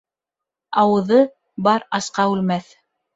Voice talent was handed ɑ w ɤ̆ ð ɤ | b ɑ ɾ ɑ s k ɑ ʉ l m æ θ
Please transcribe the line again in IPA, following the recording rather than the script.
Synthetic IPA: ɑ w ɤ̆ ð ɤ | b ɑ ɾ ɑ s q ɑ ʉ l m æ θ